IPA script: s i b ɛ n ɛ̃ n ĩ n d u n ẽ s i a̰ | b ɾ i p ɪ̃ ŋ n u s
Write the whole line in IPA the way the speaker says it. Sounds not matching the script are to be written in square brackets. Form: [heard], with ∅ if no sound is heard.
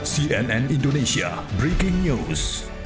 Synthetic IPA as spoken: s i [∅] ɛ n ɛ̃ n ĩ n d [o] n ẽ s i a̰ | b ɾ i [k] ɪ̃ ŋ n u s